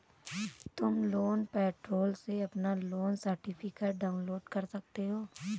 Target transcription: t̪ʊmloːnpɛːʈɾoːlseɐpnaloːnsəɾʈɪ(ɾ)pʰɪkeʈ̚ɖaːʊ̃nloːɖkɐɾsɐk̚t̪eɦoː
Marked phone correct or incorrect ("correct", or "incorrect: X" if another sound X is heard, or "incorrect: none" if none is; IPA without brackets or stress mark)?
incorrect: none